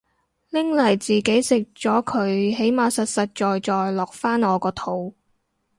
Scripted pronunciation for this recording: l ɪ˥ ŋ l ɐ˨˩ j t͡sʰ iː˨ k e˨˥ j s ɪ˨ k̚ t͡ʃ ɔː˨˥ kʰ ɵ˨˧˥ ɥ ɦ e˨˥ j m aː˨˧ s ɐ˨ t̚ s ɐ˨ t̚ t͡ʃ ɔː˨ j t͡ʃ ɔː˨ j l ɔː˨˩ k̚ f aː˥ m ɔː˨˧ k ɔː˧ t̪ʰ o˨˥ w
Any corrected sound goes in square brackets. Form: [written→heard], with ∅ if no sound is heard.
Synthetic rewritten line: l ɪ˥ ŋ l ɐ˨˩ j [t͡sʰ→t͡s] iː˨ k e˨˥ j s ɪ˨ k̚ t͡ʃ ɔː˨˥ kʰ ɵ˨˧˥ ɥ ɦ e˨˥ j m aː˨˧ s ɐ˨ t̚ s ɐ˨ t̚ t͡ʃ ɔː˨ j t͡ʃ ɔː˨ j l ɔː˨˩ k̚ f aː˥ [m→n] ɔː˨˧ k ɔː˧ t̪ʰ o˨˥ w